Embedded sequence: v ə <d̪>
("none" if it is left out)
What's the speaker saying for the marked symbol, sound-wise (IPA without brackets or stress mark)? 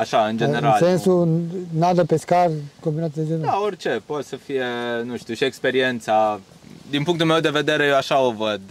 d̪